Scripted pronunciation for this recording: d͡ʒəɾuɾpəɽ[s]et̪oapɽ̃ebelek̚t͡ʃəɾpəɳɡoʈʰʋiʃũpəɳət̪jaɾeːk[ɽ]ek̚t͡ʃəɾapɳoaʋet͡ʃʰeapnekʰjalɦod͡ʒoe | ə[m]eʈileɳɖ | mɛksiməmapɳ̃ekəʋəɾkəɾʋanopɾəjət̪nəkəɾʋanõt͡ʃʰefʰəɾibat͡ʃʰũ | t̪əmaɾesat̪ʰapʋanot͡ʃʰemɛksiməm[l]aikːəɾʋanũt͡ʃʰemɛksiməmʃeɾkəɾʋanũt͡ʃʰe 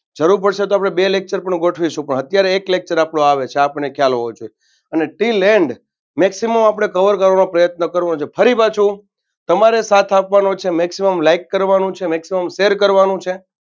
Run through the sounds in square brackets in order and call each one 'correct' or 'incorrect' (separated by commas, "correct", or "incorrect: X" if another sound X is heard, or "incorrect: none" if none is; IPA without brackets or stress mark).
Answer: incorrect: ʃ, incorrect: l, incorrect: n, correct